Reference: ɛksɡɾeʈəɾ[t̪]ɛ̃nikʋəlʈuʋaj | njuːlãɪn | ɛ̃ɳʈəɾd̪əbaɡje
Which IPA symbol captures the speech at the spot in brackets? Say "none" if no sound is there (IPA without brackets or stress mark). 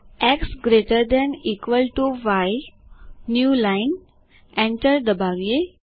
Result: d̪